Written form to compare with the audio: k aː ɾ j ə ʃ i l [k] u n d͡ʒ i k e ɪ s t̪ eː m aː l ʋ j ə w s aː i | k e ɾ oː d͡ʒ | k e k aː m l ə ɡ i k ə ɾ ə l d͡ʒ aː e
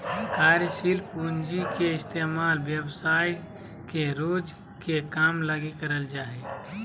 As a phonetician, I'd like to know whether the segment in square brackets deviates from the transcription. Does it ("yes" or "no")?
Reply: yes